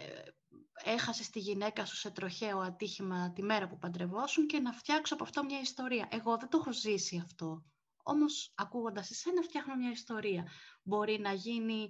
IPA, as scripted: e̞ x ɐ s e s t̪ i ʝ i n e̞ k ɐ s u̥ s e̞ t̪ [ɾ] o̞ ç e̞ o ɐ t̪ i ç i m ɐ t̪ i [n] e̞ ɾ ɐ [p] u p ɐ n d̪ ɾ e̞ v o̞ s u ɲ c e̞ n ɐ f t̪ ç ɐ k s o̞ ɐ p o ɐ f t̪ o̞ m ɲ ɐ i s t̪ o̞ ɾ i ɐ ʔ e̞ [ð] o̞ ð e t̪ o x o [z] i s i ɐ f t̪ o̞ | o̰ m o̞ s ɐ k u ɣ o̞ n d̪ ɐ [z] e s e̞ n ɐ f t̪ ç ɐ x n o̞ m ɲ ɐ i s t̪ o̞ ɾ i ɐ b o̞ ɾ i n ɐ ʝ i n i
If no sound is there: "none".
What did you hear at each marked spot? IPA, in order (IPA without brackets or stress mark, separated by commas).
ɾ, m, p, ɣ, z, s